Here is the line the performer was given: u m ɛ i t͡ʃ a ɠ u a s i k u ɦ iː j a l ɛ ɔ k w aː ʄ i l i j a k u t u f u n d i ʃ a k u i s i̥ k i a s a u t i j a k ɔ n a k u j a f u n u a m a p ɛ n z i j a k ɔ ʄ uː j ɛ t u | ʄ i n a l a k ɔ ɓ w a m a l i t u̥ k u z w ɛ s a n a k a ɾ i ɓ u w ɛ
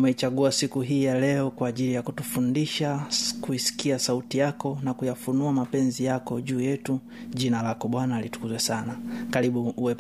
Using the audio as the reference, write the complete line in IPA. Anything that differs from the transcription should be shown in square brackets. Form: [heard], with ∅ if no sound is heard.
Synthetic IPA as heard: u m ɛ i t͡ʃ a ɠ u a s i k u ɦ iː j a l ɛ ɔ k w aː ʄ i l i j a k u t u f u n d i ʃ a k u i s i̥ k i a s a u t i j a k ɔ n a k u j a f u n u a m a p ɛ n z i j a k ɔ ʄ uː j ɛ t u | ʄ i n a l a k ɔ ɓ w a [n] a l i t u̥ k u z w ɛ s a n a k a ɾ i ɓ u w ɛ